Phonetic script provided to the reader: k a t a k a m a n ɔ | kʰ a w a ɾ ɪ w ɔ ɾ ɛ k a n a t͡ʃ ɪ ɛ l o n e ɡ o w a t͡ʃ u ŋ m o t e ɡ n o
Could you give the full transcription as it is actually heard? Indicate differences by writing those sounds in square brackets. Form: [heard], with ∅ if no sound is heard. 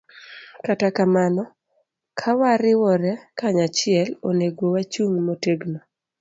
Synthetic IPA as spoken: k a t a k a m a n ɔ | kʰ a w a ɾ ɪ w ɔ ɾ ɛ k a [ɲ] a t͡ʃ ɪ ɛ l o n e ɡ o w a t͡ʃ u ŋ m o t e ɡ n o